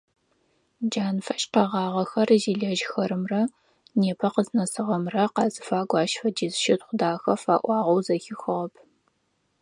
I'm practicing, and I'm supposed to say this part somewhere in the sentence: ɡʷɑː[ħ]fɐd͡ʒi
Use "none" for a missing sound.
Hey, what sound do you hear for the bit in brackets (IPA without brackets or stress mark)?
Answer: ʃ